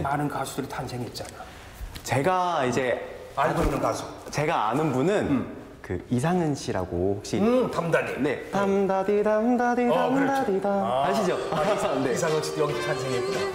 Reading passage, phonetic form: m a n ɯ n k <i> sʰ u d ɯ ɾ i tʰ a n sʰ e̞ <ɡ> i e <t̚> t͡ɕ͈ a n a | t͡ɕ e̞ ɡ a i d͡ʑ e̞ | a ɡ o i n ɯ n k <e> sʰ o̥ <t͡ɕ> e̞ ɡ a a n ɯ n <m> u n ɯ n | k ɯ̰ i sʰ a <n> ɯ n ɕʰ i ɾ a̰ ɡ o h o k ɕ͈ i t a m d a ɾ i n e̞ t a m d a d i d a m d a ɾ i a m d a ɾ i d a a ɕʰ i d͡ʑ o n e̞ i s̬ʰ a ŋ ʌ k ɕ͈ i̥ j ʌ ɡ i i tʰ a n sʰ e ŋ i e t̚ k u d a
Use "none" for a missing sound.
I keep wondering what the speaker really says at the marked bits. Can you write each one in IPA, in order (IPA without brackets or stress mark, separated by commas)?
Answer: a, ŋ, t̚, a, t͡ɕ, b, ŋ